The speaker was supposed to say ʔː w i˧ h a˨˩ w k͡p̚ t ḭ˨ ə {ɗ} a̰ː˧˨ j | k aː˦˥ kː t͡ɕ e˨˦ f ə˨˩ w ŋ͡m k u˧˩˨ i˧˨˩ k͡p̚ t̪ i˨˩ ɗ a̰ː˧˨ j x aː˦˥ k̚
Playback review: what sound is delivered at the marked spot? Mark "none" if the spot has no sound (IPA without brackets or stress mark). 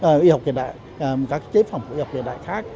ɗ